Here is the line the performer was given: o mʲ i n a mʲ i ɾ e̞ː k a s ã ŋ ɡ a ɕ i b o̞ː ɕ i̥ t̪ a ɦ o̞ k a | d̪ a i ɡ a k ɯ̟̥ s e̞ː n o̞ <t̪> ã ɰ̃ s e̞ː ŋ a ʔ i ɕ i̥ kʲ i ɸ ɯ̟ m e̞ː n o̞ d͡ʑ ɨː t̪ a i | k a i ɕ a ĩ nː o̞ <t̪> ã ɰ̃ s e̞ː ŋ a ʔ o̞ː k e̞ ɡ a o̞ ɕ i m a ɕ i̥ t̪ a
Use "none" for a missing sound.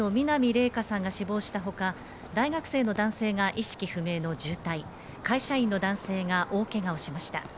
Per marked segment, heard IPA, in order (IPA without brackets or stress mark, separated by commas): d̪, d̪